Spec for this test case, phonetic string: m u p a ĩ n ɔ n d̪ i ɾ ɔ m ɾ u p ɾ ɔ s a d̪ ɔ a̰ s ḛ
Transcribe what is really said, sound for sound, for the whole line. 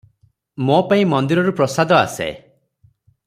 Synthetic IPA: m o p a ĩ m ɔ n d̪ i ɾ ɔ ɾ u p ɾ ɔ s a d̪ ɔ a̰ s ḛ